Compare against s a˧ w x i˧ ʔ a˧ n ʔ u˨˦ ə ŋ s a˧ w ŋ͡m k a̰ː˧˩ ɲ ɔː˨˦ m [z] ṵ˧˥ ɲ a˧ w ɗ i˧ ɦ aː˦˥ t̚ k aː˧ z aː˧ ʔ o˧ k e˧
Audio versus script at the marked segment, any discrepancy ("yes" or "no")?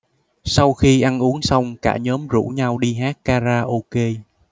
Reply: no